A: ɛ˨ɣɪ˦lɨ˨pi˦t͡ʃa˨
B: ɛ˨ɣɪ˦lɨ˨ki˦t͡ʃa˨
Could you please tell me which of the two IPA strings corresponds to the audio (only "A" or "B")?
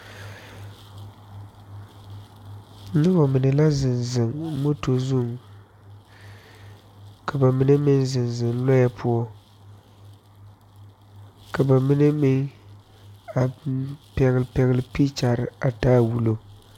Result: A